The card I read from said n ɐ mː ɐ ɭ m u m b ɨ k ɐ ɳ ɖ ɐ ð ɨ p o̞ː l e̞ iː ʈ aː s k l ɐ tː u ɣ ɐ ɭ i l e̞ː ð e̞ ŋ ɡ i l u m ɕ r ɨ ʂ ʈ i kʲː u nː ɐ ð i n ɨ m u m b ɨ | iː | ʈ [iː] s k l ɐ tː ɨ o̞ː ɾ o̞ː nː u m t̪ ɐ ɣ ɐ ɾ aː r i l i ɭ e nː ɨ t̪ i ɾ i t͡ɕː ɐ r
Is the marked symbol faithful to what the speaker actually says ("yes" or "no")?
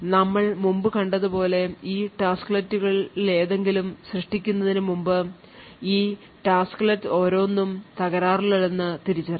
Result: no